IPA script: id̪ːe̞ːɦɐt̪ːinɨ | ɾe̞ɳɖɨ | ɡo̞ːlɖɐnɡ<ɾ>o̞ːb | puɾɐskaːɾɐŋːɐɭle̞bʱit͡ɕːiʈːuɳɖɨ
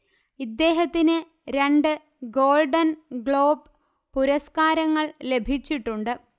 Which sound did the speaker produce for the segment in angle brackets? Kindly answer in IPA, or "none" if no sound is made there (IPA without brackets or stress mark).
ɭ